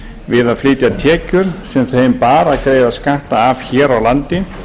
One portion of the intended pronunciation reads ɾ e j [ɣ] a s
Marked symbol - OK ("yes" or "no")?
no